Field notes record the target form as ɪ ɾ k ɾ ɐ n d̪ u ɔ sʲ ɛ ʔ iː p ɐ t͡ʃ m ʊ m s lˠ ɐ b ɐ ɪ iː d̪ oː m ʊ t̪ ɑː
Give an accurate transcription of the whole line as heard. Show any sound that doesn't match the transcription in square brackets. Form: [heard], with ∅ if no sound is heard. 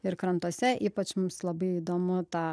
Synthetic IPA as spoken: ɪ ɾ k ɾ ɐ n [t̪] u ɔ sʲ ɛ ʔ iː p ɐ t͡ʃ m ʊ m s lˠ ɐ b ɐ ɪ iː d̪ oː m ʊ t̪ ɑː